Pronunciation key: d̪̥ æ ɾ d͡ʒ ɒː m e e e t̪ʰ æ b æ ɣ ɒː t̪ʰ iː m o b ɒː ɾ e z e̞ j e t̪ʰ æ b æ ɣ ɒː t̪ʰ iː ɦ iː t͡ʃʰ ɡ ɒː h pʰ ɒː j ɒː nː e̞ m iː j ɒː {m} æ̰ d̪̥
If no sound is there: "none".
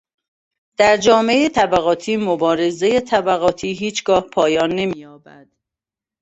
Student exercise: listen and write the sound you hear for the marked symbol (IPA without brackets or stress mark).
b